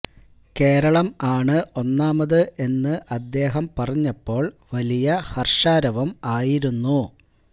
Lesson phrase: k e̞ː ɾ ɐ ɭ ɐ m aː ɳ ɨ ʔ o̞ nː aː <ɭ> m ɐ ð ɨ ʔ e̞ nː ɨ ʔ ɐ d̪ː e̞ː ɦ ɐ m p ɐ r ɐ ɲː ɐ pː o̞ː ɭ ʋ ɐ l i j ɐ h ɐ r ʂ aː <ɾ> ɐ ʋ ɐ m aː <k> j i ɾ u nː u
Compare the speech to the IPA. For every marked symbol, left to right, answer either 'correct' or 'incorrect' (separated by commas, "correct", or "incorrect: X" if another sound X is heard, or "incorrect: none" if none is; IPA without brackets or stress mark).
incorrect: none, correct, incorrect: none